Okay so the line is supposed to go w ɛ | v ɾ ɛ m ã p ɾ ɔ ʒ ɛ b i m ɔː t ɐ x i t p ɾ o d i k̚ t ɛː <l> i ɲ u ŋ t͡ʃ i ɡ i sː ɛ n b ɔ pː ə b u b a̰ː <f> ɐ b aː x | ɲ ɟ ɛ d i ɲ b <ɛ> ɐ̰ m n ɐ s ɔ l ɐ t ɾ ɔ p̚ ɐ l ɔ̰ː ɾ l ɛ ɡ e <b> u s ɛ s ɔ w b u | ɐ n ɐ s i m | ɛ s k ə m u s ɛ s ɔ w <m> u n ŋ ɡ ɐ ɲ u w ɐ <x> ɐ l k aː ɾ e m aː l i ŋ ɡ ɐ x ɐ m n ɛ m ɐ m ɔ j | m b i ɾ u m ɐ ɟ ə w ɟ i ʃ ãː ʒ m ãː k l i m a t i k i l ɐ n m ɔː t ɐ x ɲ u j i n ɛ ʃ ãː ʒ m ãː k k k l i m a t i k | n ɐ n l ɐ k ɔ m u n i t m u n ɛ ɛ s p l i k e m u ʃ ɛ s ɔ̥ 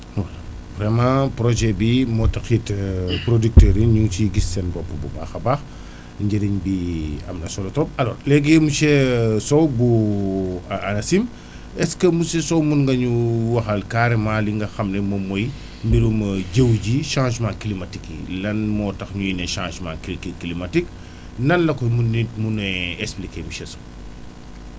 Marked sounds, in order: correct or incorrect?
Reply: incorrect, incorrect, incorrect, incorrect, correct, correct

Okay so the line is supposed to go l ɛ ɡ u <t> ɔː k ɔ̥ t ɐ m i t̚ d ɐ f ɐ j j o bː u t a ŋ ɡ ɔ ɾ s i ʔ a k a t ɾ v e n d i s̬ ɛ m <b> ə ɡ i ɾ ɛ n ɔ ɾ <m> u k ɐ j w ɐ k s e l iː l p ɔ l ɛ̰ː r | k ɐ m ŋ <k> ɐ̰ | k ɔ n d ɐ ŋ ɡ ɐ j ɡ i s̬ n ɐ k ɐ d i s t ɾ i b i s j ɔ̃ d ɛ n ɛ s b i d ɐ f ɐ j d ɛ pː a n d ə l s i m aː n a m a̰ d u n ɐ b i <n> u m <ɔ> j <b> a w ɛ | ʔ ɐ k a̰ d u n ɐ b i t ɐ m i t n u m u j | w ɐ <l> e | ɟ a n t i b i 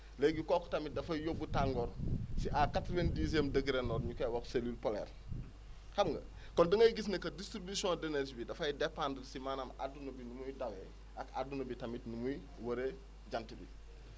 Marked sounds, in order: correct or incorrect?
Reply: incorrect, incorrect, incorrect, incorrect, correct, incorrect, incorrect, incorrect

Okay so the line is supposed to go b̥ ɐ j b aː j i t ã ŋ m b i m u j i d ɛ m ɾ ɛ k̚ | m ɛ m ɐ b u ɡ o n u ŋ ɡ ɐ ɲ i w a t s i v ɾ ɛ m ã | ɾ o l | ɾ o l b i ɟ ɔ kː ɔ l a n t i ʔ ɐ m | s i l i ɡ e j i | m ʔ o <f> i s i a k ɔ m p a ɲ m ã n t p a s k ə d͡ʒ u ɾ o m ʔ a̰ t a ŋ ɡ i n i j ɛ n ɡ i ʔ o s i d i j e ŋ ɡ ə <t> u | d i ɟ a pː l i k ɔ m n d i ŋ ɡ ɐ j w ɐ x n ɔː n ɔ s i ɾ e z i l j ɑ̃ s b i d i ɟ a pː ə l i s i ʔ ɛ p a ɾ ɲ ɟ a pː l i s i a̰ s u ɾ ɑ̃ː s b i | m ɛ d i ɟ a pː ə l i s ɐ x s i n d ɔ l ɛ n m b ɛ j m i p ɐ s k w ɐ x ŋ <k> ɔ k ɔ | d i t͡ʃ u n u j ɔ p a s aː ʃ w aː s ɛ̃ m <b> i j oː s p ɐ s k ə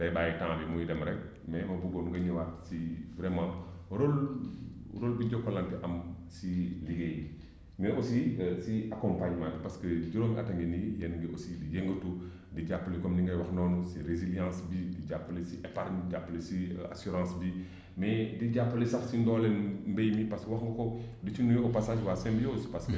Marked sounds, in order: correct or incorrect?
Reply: incorrect, correct, incorrect, correct

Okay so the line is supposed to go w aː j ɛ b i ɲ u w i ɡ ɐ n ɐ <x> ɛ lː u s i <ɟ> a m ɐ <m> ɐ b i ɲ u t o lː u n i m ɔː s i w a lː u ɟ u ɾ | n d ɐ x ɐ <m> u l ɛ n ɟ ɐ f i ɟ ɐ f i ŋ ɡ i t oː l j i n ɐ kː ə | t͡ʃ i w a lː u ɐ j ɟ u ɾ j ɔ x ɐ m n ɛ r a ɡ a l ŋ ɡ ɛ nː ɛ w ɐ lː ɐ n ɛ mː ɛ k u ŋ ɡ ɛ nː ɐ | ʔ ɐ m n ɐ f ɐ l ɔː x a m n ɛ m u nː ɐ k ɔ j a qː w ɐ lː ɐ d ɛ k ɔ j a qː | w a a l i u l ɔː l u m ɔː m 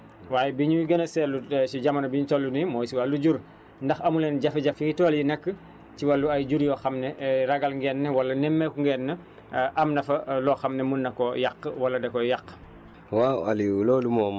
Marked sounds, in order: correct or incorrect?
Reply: incorrect, correct, incorrect, correct

